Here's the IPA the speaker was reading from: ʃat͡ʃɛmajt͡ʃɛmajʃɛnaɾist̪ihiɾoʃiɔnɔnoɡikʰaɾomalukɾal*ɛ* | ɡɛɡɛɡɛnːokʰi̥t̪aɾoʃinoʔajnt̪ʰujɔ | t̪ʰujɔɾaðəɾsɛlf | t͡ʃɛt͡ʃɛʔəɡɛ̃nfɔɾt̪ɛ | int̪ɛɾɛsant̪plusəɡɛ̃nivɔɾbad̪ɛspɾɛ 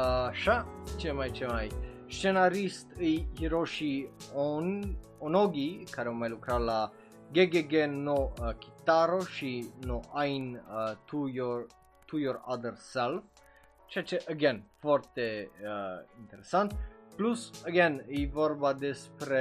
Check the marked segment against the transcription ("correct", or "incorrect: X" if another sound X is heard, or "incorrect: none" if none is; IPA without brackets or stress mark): incorrect: a